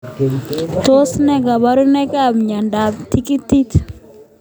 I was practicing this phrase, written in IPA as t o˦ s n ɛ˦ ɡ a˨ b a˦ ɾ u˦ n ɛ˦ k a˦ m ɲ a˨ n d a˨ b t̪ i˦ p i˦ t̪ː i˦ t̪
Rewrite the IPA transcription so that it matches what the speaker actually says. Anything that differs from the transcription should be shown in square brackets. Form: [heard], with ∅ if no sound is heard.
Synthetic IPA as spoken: t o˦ s n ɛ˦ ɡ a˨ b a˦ ɾ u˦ n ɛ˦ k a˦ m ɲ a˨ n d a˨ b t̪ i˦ [k] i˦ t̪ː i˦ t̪